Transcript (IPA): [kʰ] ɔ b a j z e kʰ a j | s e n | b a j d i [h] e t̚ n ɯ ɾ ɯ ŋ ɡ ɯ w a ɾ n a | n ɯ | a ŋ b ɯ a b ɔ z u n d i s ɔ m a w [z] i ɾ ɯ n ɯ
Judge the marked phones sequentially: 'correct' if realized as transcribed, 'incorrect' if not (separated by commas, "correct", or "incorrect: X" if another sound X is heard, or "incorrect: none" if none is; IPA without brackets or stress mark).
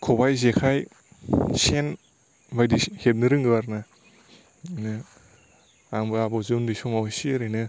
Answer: correct, correct, incorrect: s